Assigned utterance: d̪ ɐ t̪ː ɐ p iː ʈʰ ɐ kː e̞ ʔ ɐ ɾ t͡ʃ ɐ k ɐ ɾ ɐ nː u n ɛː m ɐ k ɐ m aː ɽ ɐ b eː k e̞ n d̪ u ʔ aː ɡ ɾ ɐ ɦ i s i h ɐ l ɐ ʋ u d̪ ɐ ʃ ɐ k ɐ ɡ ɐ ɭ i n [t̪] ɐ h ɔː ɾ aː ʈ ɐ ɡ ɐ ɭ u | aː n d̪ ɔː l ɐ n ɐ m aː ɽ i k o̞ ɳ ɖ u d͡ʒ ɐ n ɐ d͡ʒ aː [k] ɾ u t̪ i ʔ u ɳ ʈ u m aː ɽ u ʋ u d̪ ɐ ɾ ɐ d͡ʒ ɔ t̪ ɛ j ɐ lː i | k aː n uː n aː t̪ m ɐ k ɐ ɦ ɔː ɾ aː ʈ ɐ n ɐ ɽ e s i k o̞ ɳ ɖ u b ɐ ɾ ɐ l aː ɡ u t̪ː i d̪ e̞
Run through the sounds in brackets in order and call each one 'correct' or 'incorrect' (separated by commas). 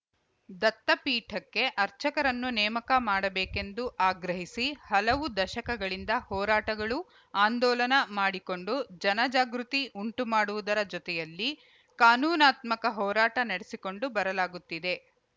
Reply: incorrect, incorrect